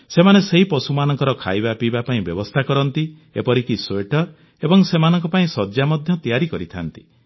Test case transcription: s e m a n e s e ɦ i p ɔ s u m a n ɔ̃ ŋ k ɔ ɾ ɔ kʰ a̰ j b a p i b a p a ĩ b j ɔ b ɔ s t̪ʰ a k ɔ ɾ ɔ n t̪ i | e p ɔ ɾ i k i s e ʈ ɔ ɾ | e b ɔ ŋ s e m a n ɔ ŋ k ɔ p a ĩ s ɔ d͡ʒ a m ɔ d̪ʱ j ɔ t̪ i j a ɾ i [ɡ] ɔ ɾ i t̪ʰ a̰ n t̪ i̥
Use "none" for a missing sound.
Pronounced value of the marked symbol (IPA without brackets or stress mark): k